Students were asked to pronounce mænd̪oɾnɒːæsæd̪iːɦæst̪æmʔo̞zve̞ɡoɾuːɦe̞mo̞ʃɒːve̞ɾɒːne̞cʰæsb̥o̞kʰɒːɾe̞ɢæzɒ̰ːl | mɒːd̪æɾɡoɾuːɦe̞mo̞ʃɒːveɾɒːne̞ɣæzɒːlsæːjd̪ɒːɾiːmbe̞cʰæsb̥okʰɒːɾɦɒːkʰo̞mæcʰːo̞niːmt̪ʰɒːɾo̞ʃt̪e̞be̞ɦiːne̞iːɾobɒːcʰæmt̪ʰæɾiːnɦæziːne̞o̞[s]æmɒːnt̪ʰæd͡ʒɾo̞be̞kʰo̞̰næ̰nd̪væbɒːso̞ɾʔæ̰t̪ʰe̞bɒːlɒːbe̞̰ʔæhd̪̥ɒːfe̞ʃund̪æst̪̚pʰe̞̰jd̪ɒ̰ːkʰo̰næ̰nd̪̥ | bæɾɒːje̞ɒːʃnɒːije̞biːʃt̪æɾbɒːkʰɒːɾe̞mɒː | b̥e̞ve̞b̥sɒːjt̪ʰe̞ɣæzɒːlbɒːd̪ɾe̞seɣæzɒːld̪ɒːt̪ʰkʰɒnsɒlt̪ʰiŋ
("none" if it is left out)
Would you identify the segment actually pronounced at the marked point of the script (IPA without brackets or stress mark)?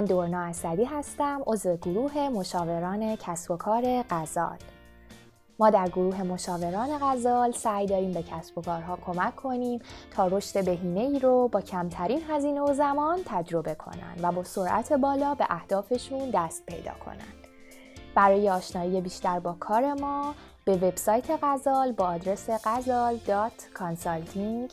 z